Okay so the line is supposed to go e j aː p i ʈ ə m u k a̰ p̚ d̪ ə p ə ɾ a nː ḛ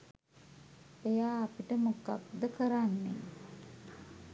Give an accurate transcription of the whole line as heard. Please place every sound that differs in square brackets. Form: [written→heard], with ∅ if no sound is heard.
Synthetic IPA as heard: e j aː p i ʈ ə m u k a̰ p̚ d̪ ə [p→k] ə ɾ a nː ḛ